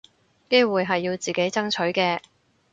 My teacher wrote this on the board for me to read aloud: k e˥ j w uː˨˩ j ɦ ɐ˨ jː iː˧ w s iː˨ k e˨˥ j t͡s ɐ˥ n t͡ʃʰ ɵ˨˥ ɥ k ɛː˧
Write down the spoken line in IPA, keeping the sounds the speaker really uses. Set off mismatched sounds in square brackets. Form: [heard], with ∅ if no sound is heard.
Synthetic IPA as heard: k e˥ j w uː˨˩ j ɦ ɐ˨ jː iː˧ w [t͡s] iː˨ k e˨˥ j t͡s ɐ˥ [ŋ] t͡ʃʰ ɵ˨˥ ɥ k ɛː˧